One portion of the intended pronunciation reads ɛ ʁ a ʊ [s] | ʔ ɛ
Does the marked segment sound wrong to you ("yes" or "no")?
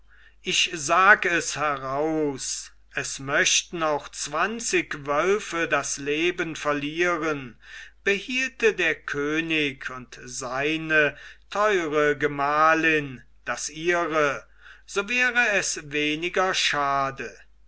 no